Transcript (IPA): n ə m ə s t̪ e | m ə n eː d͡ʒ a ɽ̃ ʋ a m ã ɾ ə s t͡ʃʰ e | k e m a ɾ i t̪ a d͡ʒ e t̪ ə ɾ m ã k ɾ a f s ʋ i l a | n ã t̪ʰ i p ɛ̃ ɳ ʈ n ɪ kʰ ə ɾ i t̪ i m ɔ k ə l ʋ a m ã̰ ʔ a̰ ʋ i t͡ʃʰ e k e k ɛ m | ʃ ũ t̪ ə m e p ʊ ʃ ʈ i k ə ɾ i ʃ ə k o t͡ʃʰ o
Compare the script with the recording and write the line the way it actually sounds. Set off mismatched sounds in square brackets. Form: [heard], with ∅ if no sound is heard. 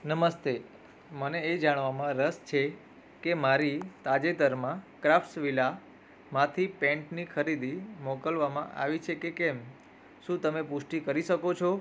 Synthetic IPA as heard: n ə m ə s t̪ e | m ə n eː d͡ʒ a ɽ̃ ʋ a m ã ɾ ə s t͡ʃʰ e | k e m a ɾ i t̪ a d͡ʒ e t̪ ə ɾ m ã k ɾ a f s ʋ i l a | [m] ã t̪ʰ i p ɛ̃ ɳ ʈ n [i] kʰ ə ɾ i [d̪] i m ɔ k ə l ʋ a m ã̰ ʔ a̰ ʋ i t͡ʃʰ e k e k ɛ m | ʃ ũ t̪ ə m e p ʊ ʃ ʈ i k ə ɾ i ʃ ə k o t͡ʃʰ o